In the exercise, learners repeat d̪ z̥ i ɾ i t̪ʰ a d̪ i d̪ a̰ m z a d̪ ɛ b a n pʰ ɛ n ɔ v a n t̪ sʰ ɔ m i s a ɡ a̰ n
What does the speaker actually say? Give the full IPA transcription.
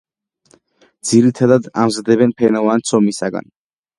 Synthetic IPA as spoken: d̪ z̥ i ɾ i t̪ʰ a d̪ a d̪ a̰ m z a d̪ ɛ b ɛ n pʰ ɛ n ɔ v a n t̪ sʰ ɔ m i s a ɡ a̰ n